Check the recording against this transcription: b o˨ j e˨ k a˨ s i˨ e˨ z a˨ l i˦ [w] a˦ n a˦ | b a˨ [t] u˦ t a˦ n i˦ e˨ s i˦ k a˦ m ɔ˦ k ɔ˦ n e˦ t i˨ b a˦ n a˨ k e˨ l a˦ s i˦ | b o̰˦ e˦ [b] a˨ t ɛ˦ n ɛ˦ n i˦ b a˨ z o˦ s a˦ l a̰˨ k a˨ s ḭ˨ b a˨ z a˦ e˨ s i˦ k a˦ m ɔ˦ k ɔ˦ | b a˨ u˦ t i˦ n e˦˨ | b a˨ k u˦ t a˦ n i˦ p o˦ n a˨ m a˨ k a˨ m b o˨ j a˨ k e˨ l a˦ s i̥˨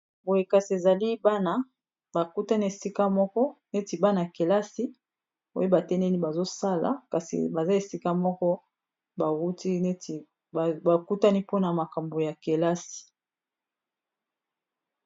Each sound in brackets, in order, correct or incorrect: incorrect, incorrect, correct

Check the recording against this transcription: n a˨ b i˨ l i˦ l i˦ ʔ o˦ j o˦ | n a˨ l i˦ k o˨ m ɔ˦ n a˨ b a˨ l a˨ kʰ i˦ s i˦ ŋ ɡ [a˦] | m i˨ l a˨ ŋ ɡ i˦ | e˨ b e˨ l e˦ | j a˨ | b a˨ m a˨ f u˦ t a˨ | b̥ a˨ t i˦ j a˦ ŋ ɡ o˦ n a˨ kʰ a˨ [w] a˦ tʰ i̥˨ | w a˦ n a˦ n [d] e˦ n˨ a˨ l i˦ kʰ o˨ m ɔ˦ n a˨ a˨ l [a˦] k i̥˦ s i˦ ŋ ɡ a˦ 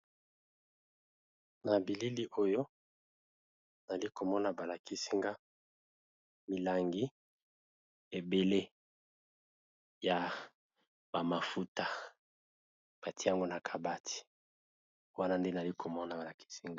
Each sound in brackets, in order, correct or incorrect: correct, incorrect, correct, incorrect

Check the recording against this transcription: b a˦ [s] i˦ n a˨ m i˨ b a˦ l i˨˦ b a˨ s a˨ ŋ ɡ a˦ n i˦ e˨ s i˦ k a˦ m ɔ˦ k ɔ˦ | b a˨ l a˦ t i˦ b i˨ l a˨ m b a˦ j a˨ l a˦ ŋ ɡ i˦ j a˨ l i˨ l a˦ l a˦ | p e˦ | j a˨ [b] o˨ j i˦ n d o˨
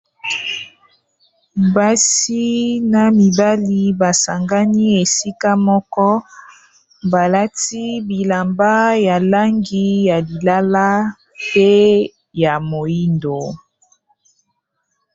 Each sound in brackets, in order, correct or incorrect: correct, incorrect

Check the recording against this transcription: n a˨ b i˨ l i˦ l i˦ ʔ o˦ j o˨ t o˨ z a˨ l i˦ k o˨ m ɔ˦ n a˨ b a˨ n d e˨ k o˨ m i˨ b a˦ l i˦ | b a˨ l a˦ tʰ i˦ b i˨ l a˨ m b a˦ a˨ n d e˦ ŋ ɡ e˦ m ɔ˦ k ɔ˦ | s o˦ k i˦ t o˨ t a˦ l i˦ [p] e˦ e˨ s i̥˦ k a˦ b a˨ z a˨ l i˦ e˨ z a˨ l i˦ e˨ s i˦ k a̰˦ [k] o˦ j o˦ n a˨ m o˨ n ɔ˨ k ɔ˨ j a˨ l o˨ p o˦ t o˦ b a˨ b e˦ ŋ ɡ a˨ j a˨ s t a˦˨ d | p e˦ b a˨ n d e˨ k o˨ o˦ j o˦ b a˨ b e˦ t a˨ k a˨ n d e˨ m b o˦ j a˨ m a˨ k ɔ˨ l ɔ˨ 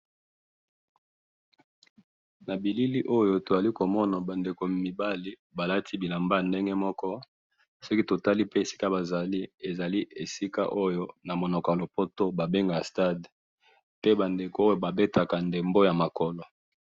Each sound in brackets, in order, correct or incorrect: correct, incorrect

